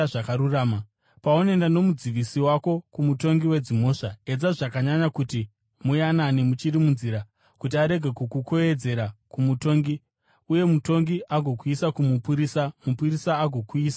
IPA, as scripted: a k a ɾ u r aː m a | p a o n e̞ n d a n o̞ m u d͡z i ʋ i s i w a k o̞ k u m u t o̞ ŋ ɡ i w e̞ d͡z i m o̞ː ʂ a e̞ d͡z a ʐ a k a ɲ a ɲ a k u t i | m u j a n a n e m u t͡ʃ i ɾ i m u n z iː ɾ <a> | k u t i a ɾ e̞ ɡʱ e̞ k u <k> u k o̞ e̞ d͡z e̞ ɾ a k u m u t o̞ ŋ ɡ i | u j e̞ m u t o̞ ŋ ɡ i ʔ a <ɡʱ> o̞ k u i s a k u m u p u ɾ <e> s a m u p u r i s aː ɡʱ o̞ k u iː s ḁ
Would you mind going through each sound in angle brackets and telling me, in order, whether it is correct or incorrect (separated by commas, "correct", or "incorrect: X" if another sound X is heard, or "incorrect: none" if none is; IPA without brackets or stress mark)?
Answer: correct, correct, correct, incorrect: i